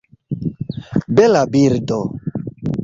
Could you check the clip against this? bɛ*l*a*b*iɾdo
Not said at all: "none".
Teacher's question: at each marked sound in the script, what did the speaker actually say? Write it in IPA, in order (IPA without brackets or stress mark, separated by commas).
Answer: l, b